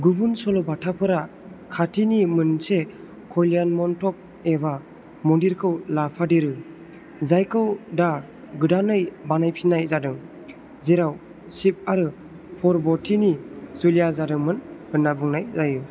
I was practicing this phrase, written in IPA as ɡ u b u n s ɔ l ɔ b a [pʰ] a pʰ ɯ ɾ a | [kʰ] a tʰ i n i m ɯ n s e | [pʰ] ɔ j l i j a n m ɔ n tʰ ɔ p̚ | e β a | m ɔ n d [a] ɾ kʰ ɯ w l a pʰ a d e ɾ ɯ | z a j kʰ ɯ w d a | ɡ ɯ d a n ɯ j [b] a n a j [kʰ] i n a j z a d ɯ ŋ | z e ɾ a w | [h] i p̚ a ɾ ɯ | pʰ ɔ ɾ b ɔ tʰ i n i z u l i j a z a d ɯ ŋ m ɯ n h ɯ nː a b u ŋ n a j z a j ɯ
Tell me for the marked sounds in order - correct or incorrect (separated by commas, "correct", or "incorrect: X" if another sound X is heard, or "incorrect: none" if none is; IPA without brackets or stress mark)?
incorrect: tʰ, correct, incorrect: kʰ, incorrect: i, correct, incorrect: pʰ, incorrect: s